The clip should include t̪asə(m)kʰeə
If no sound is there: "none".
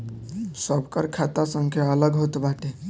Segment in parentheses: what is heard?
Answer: ŋ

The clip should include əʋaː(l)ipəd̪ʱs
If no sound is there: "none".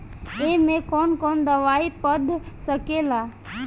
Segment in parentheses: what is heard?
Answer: none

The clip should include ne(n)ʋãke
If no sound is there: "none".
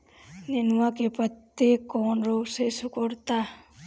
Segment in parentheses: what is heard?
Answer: n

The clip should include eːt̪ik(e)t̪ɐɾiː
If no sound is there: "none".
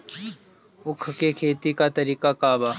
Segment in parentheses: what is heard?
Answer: a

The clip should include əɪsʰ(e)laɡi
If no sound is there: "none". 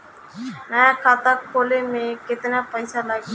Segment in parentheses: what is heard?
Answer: a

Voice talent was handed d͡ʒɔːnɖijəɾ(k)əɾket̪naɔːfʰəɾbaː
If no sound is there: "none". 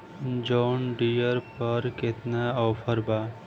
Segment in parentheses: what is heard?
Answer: p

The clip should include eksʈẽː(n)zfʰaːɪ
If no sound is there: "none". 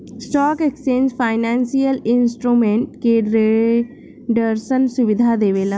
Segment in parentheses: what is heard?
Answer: n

